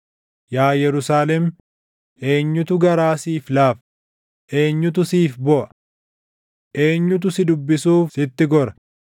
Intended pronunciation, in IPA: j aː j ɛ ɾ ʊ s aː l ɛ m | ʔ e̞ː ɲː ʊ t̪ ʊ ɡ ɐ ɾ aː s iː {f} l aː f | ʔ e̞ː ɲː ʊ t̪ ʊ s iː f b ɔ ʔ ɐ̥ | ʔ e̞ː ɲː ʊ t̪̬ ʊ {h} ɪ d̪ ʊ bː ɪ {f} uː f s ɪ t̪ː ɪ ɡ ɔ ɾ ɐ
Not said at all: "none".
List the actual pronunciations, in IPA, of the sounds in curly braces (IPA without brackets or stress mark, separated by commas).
f, s, s